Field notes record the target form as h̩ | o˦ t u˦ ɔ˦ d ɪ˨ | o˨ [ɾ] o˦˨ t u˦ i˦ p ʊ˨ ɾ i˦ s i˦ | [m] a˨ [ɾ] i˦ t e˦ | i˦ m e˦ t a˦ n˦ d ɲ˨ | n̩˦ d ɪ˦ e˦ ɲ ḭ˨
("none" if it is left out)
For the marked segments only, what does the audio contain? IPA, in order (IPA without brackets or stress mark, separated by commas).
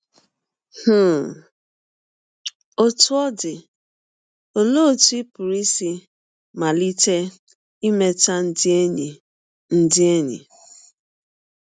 l, m, l